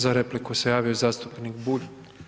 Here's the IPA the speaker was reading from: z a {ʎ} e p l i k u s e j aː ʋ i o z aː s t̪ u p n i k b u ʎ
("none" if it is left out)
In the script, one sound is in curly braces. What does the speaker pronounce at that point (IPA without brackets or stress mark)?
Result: ɾ